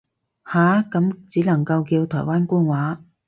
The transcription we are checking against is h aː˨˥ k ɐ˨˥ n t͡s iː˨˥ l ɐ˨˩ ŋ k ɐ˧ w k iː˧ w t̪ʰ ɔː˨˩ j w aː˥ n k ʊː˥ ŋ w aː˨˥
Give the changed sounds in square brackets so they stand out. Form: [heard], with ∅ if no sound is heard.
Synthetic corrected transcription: h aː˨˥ k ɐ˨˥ [m] t͡s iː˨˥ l ɐ˨˩ ŋ k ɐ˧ w k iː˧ w t̪ʰ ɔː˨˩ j w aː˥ n k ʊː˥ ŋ w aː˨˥